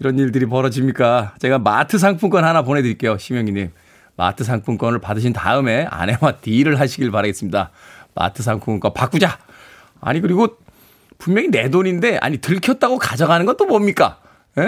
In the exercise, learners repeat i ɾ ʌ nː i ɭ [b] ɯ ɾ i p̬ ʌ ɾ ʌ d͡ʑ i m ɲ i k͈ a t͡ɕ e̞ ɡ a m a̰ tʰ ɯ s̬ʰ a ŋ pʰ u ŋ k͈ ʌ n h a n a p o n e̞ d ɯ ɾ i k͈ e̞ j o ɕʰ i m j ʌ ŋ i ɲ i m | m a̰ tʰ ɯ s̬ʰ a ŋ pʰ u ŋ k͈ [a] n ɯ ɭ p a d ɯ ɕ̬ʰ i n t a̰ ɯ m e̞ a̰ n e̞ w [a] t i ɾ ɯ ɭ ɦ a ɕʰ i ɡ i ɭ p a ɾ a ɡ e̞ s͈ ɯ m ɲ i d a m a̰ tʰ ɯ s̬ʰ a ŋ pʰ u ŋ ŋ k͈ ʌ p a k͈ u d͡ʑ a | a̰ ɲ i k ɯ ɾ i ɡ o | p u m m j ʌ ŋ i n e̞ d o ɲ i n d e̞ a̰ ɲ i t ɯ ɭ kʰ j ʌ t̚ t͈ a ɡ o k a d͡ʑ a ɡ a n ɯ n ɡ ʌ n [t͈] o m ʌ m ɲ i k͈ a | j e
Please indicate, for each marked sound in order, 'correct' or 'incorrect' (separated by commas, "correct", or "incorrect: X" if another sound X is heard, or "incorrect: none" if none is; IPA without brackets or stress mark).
incorrect: d, incorrect: ʌ, correct, correct